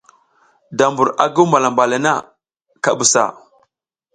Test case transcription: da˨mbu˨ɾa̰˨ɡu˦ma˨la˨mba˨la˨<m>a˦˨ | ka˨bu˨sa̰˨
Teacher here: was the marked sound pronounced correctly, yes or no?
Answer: no